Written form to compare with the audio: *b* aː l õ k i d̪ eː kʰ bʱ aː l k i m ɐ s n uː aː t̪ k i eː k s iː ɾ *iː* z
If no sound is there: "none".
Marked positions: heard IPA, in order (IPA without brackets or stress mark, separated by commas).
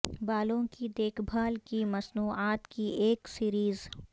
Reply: b, iː